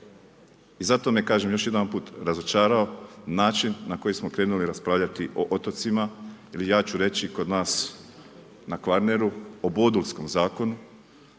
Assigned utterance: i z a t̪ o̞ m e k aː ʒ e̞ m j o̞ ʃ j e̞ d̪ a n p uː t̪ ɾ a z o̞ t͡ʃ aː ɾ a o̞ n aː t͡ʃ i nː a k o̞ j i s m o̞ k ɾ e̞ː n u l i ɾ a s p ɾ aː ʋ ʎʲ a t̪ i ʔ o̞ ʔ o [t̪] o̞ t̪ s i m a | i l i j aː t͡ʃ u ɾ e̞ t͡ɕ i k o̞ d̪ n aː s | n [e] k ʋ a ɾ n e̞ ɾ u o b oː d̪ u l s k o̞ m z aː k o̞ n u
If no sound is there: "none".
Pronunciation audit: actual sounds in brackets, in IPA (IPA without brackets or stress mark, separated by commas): t̪, a